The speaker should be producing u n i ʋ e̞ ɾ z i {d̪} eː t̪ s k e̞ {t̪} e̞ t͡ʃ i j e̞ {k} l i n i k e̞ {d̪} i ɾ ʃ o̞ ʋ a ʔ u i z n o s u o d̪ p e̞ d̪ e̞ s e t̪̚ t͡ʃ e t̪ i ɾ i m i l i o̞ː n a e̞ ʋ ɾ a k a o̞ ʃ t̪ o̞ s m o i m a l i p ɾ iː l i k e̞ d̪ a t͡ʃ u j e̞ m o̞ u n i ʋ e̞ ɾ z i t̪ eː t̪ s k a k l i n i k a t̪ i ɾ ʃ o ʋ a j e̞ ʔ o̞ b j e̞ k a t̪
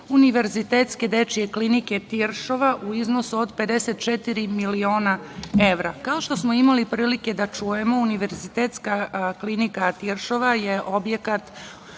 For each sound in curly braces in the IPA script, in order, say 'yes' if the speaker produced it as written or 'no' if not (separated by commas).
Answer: no, no, yes, no